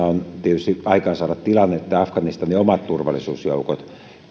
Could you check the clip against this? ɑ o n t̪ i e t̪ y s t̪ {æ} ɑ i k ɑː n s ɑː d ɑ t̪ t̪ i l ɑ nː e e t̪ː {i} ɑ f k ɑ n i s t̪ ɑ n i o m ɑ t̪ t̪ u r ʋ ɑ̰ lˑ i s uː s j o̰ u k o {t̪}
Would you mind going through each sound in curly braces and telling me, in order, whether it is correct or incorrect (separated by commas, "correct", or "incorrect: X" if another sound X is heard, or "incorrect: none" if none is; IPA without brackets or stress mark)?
incorrect: i, incorrect: æ, correct